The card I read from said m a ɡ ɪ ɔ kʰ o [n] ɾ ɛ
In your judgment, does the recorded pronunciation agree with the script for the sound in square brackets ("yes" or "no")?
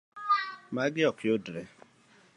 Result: no